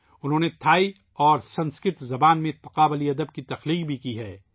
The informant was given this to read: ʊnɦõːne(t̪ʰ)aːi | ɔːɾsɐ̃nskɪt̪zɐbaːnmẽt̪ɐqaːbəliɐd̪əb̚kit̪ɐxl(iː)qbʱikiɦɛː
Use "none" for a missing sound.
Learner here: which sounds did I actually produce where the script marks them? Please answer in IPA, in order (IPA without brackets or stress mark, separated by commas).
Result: t̪ʰ, iː